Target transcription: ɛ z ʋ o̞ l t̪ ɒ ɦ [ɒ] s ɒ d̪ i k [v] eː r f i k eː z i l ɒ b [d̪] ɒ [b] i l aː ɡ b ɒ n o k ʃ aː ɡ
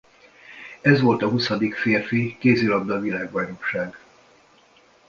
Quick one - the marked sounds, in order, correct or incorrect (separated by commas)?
incorrect, incorrect, correct, incorrect